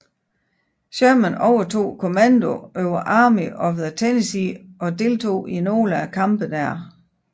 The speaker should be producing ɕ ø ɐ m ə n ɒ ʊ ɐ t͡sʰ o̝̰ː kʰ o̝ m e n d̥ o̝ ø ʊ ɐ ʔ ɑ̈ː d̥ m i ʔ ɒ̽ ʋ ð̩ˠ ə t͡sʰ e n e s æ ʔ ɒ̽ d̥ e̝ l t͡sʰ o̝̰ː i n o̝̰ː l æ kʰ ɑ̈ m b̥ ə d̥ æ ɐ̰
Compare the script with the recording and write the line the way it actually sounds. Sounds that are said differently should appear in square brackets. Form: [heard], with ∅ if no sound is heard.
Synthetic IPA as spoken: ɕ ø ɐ m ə n ɒ ʊ ɐ t͡sʰ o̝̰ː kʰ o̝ m [æ] n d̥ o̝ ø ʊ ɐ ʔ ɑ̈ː [∅] m i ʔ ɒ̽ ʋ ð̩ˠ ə t͡sʰ e n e s [i] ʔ ɒ̽ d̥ e̝ l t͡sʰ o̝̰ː i n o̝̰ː l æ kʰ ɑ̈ m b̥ ə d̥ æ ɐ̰